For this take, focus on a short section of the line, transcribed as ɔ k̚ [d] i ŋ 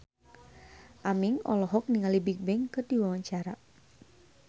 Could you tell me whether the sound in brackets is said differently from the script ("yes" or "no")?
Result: yes